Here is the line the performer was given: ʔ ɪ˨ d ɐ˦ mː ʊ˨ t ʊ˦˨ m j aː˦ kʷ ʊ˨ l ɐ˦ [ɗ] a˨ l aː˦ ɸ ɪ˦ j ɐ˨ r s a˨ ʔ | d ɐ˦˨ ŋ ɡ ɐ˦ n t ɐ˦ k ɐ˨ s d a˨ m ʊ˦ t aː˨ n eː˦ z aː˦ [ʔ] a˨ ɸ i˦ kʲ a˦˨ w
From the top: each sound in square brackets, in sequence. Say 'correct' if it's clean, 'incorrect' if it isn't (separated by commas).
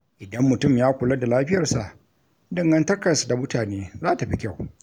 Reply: incorrect, incorrect